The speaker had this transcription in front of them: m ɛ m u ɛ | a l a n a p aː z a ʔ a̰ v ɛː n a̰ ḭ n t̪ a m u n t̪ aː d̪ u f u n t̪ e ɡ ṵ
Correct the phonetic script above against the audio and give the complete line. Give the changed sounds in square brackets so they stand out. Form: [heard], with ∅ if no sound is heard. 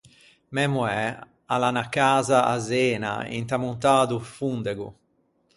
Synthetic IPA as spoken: m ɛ m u ɛ | a l a n a [k] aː z a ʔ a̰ [z] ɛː n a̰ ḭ n t̪ a m u n t̪ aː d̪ u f u n [d̪] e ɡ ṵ

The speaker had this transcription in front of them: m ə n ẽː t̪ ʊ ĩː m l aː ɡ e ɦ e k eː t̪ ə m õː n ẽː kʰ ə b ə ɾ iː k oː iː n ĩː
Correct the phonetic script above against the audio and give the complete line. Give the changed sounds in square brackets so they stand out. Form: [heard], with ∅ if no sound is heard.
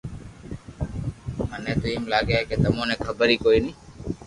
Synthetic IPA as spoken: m ə n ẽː t̪ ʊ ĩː m l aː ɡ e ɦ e k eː t̪ ə m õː n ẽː kʰ ə b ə ɾ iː k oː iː n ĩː

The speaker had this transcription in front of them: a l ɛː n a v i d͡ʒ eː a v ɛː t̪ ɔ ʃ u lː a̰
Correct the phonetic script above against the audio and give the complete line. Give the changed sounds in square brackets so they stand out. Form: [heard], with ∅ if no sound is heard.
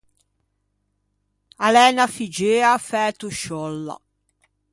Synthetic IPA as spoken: a l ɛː n a [f] i d͡ʒ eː a [f] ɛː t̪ [u] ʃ [ɔ] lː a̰

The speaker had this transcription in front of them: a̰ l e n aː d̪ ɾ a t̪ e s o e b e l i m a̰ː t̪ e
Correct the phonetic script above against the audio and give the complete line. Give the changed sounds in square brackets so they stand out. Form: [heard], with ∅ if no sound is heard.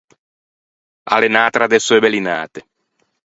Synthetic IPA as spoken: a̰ l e n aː [t̪] ɾ a [d̪] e s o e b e l i [n] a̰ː t̪ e

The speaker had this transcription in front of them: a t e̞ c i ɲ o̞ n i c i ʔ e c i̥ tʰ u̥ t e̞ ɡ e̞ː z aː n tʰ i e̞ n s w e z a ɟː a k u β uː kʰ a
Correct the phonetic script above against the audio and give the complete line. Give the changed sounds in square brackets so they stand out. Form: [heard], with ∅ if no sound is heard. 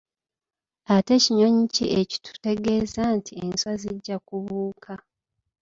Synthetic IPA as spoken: a t e̞ c i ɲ o̞ [ɲ] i c i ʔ e c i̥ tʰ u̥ t e̞ ɡ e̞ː z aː n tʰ i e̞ n s w [a] z [i] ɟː a k u β uː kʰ a

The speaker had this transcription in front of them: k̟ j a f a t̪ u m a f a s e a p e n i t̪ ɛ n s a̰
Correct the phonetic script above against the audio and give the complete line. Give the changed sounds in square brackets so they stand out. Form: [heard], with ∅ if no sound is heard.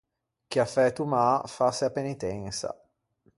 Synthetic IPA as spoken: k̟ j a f [ɛ] t̪ u m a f a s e a p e n i t̪ ɛ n s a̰

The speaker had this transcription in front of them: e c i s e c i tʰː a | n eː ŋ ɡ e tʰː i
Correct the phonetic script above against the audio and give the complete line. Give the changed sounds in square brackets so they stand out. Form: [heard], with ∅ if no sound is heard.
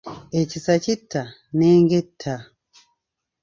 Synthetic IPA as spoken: e c i s [a] c i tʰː a | n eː ŋ ɡ e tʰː [a]

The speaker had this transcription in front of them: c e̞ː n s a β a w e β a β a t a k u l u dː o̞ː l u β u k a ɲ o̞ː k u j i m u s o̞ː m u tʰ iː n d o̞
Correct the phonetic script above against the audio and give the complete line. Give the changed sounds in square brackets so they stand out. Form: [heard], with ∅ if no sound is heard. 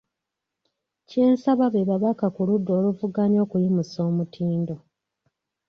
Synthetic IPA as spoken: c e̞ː n s a β a [β] e β a β a [k] a k u l u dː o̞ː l u [v] u [ɡ] a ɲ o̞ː k u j i m u s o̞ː m u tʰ iː n d o̞

